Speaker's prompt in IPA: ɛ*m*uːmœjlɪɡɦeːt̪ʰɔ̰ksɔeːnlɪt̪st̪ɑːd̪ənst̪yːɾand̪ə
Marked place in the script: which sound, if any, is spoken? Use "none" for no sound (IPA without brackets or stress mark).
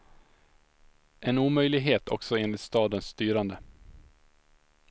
n